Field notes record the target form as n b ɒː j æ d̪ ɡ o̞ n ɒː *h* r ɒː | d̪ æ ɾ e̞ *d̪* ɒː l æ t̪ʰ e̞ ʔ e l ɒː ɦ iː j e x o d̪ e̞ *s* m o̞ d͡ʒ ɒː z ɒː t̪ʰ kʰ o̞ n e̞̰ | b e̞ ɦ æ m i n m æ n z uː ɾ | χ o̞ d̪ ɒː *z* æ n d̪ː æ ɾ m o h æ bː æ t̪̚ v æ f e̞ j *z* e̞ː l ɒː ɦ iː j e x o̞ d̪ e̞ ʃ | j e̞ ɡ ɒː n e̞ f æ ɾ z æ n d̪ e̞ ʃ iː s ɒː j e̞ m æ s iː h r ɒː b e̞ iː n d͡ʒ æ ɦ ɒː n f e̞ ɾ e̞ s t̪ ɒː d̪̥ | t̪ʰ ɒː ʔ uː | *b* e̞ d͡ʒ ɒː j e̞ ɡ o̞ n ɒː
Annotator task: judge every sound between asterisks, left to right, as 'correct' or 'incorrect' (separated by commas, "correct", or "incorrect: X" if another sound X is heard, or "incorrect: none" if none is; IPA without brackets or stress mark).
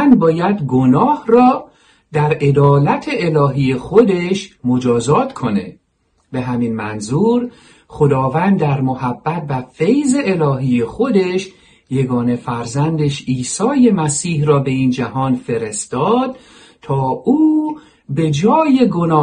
correct, correct, incorrect: ʃ, incorrect: v, correct, correct